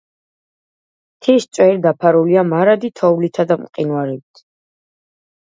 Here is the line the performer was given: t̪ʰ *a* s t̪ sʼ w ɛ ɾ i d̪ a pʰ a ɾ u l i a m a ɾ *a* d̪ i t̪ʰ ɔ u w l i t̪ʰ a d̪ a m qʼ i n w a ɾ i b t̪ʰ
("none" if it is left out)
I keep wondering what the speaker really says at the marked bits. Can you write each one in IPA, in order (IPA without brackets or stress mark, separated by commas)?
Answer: i, a